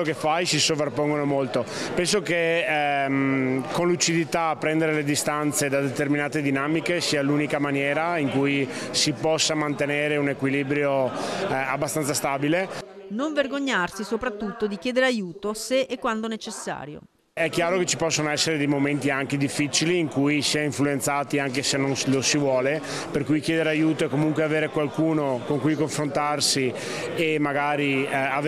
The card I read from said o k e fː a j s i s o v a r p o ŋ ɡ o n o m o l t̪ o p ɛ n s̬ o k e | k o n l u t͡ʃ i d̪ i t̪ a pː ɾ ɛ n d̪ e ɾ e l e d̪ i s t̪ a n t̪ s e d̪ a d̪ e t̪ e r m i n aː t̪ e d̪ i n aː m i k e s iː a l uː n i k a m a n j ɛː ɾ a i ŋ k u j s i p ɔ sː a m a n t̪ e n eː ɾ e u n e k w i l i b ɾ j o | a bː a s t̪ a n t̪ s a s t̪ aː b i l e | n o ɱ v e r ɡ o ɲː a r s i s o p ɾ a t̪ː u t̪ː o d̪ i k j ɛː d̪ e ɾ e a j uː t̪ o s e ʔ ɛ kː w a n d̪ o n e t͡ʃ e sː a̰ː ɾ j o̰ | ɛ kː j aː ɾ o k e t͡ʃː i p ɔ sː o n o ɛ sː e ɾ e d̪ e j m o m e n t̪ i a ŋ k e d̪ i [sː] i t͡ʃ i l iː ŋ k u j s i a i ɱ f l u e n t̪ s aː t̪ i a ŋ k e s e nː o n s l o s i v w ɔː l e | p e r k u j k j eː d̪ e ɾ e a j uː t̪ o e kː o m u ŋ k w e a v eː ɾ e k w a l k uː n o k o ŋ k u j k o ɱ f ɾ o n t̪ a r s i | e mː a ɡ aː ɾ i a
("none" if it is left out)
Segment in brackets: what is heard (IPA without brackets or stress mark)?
fː